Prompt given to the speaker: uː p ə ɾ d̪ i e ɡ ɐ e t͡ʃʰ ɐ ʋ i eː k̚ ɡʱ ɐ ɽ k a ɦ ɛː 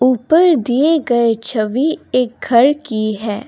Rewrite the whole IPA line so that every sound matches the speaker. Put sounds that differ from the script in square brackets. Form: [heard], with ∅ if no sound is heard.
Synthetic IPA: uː p ə ɾ d̪ i e ɡ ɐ e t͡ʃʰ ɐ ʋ i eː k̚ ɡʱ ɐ [ɾ] k [i] ɦ ɛː